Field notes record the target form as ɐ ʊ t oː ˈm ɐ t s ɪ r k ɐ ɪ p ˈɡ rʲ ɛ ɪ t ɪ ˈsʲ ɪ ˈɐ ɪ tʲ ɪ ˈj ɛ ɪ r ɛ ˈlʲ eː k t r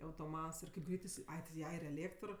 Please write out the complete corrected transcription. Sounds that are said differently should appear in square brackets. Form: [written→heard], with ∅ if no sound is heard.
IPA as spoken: ɐ ʊ t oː ˈm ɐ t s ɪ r k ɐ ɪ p ˈɡ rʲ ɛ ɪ t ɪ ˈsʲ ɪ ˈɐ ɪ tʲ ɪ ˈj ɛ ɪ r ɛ ˈlʲ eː k t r